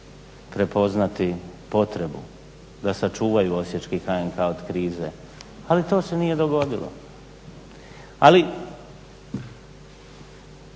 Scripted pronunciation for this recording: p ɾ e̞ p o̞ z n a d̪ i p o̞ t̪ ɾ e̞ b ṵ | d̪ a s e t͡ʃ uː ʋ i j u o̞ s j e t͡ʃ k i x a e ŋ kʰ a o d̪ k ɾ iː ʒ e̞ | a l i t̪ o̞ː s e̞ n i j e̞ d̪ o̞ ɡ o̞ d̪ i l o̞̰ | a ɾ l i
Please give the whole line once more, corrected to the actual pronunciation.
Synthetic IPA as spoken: p ɾ e̞ p o̞ z n a t̪ i p o̞ t̪ ɾ e̞ b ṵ | d̪ a s a t͡ʃ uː ʋ a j u o̞ s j e t͡ʃ k i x a e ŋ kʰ a o d̪ k ɾ iː z e̞ | a l i t̪ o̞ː s e̞ n i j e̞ d̪ o̞ ɡ o̞ d̪ i l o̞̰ | a l i